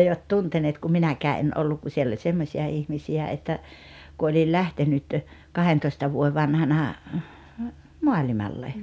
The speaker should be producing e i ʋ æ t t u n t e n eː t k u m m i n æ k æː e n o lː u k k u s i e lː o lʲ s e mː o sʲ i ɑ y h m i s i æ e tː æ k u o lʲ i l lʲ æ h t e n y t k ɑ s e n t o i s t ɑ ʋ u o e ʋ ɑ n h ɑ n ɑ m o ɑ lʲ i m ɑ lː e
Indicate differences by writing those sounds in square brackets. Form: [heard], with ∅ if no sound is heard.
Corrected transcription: e i ʋ æ t t u n t e n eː t k u m m i n æ k æː e n o lː u k k u s i e lː o lʲ s e mː o sʲ i ɑ [i] h m i s i æ e tː æ k u o lʲ i l lʲ æ h t e n y t k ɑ [h] e n t o i s t ɑ ʋ u o e ʋ ɑ n h ɑ n ɑ m o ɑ lʲ i m ɑ lː e